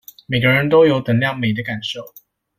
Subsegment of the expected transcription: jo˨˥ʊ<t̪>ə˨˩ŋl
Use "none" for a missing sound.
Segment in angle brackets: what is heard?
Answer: t̪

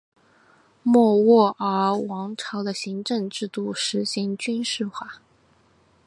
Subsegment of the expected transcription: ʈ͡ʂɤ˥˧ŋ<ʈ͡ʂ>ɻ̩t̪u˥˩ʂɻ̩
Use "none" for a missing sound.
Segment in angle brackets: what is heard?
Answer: ʈ͡ʂ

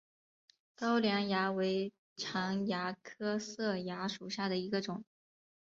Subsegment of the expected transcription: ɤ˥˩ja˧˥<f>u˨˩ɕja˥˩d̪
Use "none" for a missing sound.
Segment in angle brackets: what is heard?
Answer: ʂ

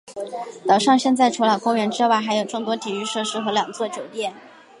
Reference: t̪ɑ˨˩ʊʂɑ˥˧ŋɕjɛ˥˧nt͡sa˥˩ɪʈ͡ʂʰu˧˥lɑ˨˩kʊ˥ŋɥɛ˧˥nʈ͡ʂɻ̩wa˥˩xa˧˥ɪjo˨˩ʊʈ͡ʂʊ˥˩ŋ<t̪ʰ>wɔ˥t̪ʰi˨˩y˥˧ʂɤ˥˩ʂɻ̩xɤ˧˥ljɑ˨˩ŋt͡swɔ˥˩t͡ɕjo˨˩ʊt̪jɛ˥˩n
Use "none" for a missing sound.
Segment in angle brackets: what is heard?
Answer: t̪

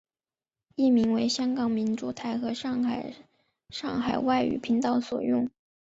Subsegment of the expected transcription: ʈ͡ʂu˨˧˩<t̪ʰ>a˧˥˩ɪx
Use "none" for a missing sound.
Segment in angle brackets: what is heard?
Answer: t̪ʰ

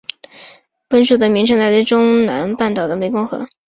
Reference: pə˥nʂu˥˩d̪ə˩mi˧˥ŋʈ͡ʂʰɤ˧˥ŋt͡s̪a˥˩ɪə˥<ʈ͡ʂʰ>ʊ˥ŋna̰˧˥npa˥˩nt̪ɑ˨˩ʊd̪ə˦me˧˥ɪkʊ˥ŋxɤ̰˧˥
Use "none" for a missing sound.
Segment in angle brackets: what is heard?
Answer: ʈ͡ʂ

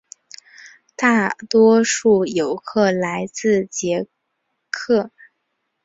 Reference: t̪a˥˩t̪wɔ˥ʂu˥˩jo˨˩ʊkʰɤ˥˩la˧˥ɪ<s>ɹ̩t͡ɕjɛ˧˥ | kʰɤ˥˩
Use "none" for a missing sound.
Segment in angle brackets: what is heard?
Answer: t͡s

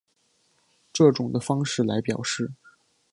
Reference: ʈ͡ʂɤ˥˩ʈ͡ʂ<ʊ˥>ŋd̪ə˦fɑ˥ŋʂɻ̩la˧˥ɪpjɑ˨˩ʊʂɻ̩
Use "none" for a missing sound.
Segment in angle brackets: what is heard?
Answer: ʊ˨˩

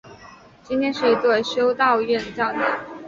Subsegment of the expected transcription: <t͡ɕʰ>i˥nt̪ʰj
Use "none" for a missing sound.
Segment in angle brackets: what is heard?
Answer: t͡ɕ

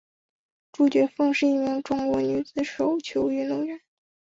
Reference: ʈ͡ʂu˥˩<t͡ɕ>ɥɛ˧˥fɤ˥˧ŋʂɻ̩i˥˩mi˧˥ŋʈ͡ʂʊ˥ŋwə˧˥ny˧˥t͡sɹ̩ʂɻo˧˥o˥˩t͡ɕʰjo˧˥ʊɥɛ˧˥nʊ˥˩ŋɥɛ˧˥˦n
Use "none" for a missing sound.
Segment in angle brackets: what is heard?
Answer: t͡ɕ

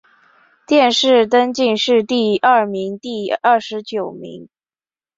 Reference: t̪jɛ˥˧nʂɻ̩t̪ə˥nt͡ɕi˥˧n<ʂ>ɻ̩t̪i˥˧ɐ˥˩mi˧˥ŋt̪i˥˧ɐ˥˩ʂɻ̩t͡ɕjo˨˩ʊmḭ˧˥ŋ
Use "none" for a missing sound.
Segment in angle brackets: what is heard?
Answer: ʂ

